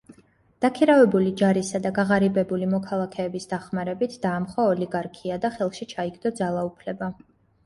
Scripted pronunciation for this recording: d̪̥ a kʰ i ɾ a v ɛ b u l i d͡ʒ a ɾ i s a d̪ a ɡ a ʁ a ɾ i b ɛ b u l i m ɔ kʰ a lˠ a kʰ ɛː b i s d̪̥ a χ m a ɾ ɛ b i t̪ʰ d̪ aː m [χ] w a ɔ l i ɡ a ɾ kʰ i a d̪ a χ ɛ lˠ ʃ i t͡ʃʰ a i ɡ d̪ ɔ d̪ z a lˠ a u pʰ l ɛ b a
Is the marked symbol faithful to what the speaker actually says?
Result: yes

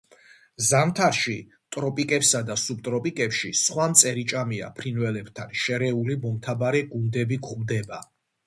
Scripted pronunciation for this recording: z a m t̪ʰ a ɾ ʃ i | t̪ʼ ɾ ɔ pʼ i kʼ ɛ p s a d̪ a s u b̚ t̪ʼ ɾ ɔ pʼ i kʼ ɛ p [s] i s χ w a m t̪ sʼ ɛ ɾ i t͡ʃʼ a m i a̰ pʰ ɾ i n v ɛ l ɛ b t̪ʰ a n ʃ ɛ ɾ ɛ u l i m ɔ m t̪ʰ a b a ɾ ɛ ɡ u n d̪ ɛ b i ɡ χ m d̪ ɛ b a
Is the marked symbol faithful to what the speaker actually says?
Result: no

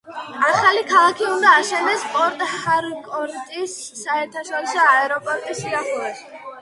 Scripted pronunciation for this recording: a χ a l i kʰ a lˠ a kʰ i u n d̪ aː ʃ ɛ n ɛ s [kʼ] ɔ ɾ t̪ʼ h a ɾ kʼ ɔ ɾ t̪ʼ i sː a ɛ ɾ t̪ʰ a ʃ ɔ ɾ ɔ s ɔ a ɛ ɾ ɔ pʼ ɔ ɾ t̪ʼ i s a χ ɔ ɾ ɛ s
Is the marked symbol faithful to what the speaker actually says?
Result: no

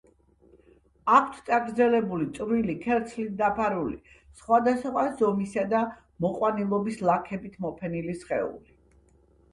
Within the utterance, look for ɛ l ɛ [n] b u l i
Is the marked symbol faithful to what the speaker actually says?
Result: no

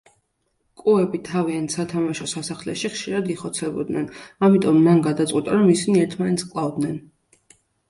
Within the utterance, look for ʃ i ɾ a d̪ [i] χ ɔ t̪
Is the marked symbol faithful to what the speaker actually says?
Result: yes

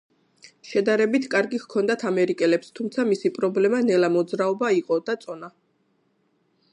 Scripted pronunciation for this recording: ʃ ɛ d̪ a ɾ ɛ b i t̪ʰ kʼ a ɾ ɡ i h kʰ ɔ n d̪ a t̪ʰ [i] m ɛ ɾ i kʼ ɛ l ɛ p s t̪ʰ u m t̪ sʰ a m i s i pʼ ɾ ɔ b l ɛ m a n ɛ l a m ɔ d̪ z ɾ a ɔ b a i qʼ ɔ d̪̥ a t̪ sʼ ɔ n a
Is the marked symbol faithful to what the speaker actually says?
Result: no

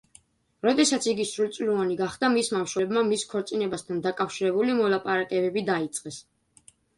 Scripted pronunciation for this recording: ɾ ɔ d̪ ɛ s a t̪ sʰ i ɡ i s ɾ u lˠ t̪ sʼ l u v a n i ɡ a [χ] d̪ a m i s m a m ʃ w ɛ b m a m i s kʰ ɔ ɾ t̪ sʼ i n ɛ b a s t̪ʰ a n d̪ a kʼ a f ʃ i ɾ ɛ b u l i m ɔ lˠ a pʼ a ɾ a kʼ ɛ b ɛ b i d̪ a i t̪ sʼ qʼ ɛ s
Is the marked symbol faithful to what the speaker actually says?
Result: yes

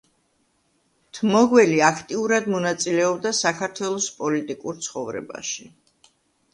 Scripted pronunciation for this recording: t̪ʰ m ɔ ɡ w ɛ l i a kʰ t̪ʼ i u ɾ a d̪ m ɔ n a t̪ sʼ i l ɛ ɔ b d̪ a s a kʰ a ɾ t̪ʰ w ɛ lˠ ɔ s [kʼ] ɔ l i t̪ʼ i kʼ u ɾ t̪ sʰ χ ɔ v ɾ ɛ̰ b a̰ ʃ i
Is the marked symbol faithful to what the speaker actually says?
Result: no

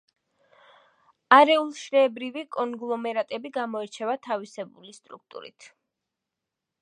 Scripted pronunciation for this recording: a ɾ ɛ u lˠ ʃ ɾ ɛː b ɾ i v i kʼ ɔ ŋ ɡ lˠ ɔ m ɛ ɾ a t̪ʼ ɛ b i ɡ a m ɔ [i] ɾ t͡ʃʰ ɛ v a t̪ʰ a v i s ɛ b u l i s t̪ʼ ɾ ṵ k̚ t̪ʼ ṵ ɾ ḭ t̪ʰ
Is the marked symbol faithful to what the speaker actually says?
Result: no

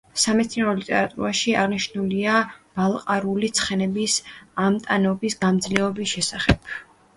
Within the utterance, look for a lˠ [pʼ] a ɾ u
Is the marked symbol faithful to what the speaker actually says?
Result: no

